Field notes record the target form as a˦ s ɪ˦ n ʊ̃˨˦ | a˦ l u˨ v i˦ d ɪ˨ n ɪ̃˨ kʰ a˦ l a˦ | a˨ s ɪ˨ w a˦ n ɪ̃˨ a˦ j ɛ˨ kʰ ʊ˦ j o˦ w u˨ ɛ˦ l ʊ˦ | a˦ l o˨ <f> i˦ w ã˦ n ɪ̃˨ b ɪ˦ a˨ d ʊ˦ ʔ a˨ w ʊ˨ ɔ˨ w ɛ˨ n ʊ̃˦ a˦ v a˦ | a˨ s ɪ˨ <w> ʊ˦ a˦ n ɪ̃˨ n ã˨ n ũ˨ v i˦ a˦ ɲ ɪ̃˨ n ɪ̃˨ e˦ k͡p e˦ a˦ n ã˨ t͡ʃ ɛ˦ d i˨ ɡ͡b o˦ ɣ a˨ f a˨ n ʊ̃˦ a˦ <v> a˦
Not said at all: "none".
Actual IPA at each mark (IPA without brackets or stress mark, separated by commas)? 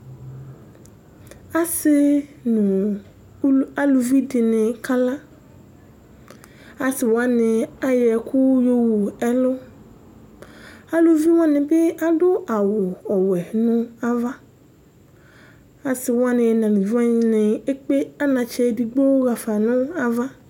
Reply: v, w, v